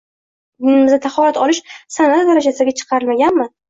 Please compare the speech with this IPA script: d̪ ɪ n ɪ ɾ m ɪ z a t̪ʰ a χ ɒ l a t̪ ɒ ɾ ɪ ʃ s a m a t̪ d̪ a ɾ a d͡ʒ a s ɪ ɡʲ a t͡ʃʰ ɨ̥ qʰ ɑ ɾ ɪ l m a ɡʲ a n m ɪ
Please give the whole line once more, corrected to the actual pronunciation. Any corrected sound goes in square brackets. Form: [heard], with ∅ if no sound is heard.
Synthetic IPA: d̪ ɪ n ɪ [∅] m ɪ z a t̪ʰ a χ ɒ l a t̪ ɒ [l] ɪ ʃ s a [n] a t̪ d̪ a ɾ a d͡ʒ a s ɪ ɡʲ a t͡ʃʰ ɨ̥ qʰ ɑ ɾ ɪ l m a ɡʲ a n m ɪ